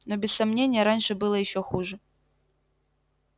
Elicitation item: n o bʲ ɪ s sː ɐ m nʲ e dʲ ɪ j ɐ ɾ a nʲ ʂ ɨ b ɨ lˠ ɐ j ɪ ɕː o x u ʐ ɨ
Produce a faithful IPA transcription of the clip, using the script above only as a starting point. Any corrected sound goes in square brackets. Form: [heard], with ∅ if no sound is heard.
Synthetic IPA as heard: n o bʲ ɪ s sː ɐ m nʲ e [nʲ] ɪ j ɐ ɾ a nʲ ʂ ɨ b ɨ lˠ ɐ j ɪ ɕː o x u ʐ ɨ